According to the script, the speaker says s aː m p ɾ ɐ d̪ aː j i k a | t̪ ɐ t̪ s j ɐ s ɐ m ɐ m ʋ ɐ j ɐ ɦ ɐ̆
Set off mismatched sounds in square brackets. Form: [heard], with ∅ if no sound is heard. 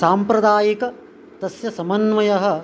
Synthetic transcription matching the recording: s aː m p ɾ ɐ d̪ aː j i k [ɐ] | t̪ ɐ [∅] s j ɐ s ɐ m ɐ [n] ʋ ɐ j ɐ ɦ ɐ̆